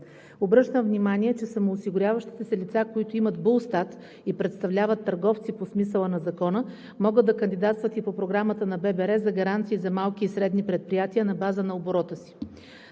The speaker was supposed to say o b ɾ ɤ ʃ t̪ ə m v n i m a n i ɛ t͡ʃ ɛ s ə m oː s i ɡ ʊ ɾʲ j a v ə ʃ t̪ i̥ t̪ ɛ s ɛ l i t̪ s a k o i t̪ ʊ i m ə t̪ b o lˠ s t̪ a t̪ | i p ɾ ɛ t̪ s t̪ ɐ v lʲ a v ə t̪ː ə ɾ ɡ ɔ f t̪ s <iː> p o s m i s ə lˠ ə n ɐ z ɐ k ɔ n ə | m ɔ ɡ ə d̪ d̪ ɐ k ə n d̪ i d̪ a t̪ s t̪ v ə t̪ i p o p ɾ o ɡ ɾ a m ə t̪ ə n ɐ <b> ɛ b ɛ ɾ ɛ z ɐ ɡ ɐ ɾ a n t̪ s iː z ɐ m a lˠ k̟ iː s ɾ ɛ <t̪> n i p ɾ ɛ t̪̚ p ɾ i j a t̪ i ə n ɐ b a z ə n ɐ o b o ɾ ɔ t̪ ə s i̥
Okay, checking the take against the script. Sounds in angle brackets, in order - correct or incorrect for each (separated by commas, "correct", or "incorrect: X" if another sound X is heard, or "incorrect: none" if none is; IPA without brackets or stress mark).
incorrect: i, correct, incorrect: d̪